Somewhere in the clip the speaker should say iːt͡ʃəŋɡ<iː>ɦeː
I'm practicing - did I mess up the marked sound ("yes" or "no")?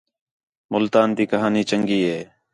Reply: no